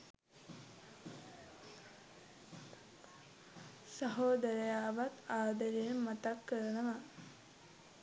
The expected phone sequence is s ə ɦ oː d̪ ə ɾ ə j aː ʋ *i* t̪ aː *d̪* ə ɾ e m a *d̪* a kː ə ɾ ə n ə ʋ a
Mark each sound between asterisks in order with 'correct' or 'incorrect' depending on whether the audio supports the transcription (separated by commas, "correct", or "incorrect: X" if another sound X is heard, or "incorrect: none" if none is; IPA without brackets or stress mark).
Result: incorrect: a, correct, incorrect: t̪